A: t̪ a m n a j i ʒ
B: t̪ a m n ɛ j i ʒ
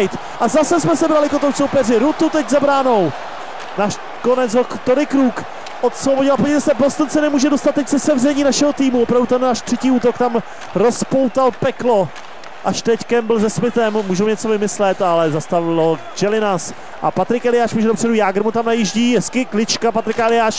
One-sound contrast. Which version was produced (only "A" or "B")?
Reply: A